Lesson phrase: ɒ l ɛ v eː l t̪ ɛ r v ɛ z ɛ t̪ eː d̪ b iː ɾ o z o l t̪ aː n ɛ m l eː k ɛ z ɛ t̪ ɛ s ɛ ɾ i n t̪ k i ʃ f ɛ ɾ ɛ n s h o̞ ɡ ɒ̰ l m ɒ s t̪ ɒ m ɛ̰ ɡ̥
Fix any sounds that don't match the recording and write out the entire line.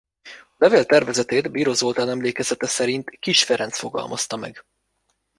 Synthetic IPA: ɒ l ɛ v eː l t̪ ɛ r v ɛ z ɛ t̪ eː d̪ b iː ɾ o z o l t̪ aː n ɛ m l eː k ɛ z ɛ t̪ ɛ s ɛ ɾ i n t̪ k i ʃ f ɛ ɾ ɛ n s f o̞ ɡ ɒ̰ l m ɒ s t̪ ɒ m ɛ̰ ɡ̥